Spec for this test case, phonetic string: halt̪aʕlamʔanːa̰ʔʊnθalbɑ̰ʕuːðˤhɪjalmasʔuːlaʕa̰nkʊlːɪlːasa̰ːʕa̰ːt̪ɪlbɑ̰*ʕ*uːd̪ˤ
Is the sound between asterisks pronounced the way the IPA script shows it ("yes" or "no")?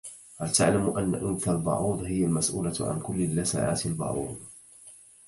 yes